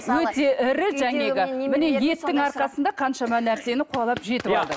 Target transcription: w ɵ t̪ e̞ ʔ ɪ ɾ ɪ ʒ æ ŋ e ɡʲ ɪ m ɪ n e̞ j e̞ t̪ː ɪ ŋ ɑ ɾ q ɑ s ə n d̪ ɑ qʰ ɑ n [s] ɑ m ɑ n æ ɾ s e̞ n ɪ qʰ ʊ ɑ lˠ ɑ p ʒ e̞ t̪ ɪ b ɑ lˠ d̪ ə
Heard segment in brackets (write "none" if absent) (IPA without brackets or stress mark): ʃ